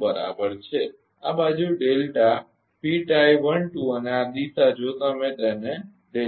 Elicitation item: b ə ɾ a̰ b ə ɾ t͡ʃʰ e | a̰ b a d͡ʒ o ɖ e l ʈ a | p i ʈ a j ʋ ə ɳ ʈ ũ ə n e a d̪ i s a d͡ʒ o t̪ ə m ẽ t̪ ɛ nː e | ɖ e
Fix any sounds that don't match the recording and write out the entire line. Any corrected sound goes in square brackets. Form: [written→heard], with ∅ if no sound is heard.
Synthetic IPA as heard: b ə ɾ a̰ b ə ɾ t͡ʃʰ e | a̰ b a d͡ʒ [o→u] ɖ e l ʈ a | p i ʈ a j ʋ ə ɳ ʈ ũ ə n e a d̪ i s a d͡ʒ o t̪ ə m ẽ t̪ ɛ [nː→n] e | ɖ e

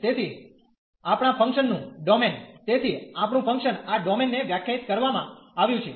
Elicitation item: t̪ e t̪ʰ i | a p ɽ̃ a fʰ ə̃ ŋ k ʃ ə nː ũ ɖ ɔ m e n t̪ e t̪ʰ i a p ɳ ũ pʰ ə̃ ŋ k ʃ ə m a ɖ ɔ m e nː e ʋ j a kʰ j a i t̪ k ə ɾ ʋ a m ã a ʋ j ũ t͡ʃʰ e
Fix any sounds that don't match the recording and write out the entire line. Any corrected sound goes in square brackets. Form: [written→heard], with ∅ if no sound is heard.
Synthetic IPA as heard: t̪ e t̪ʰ i | a p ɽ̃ a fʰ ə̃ ŋ k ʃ ə nː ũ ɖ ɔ m e n t̪ e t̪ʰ i a p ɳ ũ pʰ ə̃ ŋ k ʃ ə [m→n] a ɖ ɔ m e nː e ʋ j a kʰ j a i t̪ k ə ɾ ʋ a m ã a ʋ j ũ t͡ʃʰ e

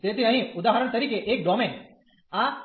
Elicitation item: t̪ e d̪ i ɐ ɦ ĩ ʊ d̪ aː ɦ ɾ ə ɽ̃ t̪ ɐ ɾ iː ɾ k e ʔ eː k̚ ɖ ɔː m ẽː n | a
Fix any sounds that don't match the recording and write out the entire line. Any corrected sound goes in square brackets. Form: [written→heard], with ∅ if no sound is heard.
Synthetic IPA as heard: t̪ e [d̪→t̪] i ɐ ɦ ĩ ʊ d̪ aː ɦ ɾ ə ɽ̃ t̪ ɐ ɾ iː [ɾ→∅] k e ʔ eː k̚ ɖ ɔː m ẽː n | a

